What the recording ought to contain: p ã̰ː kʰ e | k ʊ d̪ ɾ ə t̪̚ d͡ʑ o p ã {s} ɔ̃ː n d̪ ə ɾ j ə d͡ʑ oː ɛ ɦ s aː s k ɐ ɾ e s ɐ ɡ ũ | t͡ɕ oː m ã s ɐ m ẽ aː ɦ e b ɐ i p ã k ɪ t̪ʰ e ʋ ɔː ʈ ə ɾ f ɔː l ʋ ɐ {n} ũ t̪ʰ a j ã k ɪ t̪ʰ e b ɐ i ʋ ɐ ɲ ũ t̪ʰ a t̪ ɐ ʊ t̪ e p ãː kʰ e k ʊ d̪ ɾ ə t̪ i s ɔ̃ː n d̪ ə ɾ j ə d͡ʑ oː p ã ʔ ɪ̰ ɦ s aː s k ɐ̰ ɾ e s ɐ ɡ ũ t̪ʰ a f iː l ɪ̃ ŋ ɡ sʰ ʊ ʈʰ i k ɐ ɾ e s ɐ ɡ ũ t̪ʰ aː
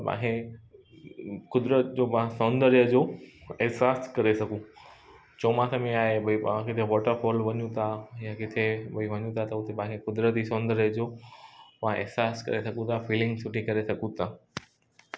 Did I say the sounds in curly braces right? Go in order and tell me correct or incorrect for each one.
correct, incorrect

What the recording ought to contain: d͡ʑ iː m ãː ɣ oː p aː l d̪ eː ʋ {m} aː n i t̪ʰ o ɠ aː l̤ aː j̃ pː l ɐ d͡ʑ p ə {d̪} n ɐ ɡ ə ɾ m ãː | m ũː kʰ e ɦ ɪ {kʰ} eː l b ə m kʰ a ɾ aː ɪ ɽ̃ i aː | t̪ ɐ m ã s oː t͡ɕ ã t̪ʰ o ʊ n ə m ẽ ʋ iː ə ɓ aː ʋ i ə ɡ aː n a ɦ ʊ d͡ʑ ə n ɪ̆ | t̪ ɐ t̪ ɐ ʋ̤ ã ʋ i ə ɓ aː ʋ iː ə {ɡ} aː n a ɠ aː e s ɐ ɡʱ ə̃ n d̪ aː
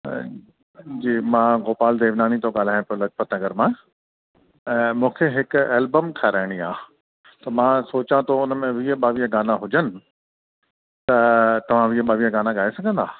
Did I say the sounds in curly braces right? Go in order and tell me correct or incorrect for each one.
incorrect, incorrect, incorrect, correct

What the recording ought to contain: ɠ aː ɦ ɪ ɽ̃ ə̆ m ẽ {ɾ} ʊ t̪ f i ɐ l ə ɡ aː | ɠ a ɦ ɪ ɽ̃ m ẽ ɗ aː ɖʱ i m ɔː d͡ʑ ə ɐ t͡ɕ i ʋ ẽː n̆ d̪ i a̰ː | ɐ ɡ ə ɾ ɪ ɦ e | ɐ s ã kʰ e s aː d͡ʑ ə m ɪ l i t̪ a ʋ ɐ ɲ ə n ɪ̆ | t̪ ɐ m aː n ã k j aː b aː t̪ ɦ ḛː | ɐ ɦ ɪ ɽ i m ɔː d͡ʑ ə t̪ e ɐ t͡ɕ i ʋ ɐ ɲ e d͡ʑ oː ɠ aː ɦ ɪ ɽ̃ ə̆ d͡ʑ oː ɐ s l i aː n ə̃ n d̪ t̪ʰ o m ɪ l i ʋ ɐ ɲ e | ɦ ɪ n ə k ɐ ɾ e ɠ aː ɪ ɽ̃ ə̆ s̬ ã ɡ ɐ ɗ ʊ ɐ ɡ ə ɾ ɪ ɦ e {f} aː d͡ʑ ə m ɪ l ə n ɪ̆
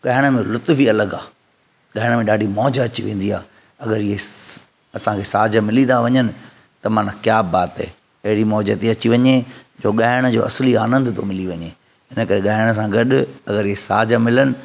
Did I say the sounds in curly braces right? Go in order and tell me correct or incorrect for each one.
incorrect, incorrect

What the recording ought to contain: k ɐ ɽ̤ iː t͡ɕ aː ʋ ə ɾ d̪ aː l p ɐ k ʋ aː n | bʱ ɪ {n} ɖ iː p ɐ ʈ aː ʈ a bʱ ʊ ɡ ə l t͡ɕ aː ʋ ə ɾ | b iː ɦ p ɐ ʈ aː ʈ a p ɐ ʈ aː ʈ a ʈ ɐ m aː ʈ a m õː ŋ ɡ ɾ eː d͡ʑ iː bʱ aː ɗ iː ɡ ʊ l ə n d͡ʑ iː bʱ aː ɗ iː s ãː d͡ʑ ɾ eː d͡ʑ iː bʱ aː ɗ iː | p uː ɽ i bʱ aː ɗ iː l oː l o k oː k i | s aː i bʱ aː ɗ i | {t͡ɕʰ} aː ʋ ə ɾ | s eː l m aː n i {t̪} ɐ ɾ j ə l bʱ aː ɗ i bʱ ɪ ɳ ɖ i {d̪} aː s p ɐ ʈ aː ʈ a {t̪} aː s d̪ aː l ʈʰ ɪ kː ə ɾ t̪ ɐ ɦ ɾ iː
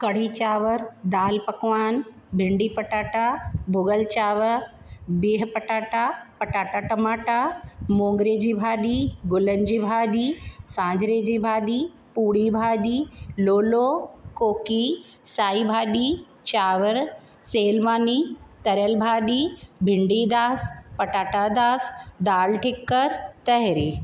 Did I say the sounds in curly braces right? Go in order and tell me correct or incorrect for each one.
incorrect, incorrect, correct, correct, incorrect

